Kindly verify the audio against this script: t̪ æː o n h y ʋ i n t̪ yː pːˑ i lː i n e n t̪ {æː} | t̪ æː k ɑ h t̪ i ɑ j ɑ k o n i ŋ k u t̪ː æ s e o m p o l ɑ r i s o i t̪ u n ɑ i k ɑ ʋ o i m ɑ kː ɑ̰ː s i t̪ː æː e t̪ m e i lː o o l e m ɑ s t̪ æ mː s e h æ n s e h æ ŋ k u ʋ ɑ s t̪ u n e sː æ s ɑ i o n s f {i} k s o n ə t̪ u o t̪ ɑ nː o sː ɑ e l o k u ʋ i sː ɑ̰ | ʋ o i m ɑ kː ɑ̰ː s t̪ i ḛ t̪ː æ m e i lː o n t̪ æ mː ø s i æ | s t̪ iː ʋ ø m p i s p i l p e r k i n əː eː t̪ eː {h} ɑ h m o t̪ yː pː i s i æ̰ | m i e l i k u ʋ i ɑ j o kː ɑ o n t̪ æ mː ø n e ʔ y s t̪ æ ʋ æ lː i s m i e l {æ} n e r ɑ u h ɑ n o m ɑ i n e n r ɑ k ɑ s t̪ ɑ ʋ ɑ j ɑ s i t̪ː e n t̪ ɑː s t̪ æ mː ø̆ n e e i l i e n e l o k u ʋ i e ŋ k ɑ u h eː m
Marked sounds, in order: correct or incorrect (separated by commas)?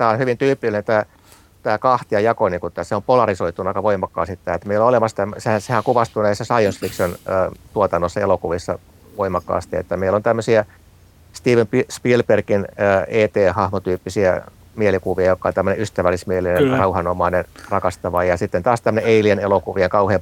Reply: correct, correct, correct, incorrect